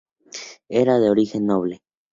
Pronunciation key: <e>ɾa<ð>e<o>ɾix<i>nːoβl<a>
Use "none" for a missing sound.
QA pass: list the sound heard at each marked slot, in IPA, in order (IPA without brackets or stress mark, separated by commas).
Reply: e, ð, o, e, e